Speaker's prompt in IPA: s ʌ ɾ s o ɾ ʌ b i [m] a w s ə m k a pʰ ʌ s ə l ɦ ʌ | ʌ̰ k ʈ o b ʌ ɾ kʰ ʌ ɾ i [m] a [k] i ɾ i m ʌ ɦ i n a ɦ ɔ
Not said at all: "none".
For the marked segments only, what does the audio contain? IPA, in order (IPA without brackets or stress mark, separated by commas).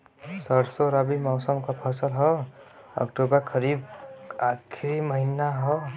m, b, kʰ